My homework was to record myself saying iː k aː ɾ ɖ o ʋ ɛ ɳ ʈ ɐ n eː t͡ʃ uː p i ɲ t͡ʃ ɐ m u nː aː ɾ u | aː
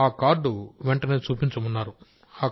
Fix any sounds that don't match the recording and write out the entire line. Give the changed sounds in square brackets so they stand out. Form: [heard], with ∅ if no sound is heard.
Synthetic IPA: [aː] k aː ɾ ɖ [u] ʋ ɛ ɳ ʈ ɐ n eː t͡ʃ uː p i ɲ t͡ʃ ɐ m u nː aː ɾ u | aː